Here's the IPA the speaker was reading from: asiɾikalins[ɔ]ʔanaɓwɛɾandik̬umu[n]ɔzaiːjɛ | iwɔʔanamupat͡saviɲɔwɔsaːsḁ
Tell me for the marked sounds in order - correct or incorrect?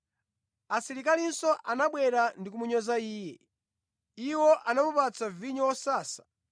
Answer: correct, incorrect: ɲ

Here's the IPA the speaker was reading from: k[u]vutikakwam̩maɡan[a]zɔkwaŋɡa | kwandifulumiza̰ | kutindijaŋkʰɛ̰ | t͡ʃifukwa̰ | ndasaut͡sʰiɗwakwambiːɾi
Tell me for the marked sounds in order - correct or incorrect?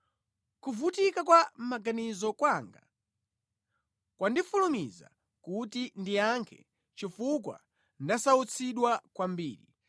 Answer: correct, incorrect: i

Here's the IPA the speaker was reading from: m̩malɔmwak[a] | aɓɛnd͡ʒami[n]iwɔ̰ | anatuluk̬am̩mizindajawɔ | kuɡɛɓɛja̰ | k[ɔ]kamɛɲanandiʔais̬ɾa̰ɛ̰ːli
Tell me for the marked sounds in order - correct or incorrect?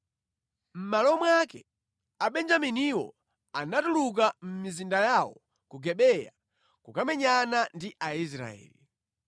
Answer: incorrect: ɛ, correct, incorrect: u

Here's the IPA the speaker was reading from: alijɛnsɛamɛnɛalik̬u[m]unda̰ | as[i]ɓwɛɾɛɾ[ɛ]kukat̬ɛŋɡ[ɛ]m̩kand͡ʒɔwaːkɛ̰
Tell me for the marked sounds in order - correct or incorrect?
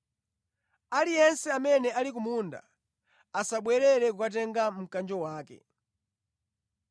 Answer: correct, incorrect: a, correct, incorrect: a

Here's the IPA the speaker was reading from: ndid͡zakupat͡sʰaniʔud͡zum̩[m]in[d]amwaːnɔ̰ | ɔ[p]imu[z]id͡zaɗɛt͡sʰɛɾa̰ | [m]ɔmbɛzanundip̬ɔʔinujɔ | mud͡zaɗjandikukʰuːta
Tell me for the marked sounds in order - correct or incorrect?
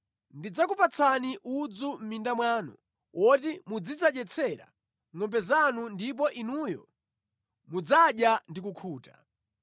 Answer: correct, correct, incorrect: t, incorrect: d͡z, incorrect: ŋ

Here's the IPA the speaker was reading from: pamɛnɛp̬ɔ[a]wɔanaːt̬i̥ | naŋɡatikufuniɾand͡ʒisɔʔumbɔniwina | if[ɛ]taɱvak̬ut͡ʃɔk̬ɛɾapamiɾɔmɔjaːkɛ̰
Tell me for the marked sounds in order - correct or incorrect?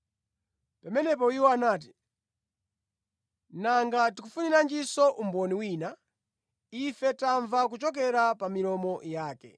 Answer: incorrect: i, correct

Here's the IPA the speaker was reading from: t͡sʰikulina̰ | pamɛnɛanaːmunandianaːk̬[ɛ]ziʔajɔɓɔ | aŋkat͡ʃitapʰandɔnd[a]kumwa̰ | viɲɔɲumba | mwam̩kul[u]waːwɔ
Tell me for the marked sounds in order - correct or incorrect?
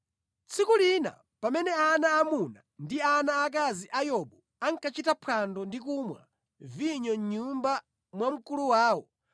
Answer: incorrect: a, incorrect: i, correct

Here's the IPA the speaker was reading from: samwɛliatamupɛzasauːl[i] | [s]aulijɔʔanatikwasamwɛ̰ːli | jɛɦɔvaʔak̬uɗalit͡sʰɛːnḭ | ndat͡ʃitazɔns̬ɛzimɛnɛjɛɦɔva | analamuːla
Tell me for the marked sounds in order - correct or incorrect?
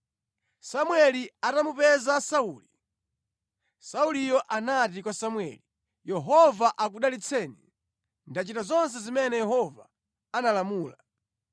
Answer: correct, correct

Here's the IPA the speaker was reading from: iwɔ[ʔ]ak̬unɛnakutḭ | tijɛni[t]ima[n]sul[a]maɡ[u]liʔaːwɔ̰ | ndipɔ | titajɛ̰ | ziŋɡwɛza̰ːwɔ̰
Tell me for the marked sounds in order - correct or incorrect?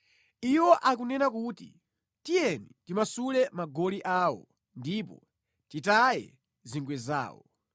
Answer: correct, correct, incorrect: none, incorrect: ɛ, incorrect: ɔ

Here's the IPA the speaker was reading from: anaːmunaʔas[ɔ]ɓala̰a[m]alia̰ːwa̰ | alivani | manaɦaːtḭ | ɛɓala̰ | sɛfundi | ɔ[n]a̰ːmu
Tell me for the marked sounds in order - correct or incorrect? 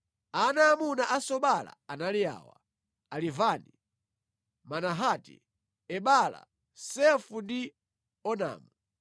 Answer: correct, incorrect: n, correct

